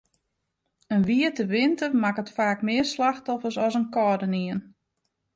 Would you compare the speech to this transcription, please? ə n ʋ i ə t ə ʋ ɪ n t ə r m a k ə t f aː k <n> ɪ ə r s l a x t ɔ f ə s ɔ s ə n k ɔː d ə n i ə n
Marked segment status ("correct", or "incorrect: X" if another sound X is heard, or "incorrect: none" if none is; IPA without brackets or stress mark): incorrect: m